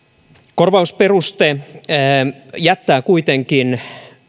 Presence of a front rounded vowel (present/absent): absent